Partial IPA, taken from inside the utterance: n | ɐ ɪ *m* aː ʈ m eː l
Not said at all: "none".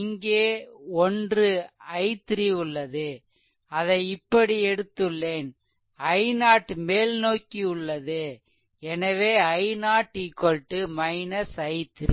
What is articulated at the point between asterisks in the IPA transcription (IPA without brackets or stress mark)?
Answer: n